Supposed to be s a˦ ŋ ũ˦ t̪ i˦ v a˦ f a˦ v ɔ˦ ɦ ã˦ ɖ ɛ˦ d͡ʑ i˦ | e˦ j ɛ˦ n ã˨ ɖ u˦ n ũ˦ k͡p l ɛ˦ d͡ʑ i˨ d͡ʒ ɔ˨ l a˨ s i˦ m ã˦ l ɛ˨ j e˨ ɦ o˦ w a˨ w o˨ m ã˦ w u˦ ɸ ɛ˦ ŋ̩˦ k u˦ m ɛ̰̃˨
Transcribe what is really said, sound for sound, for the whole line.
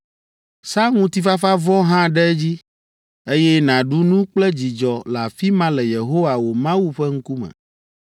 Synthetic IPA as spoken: s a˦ ŋ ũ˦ t̪ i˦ f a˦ f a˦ v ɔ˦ ɦ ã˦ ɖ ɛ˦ d͡ʑ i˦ | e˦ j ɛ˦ n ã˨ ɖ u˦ n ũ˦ k͡p l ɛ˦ d͡ʑ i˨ d͡ʒ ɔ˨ l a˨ f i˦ m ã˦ l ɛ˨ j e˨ ɦ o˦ w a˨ w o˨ m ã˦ w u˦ ɸ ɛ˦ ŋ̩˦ k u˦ m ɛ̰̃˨